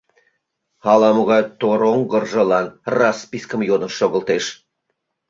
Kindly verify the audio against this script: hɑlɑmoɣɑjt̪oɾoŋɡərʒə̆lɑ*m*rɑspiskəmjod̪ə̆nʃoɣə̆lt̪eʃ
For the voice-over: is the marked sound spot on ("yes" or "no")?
no